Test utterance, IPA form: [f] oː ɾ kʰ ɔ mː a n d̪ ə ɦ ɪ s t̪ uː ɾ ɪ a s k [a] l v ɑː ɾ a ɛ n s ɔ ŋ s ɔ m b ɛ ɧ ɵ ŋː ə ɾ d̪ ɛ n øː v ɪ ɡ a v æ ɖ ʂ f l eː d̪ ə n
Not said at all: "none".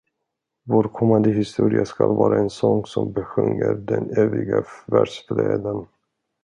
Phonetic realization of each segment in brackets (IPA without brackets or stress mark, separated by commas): v, a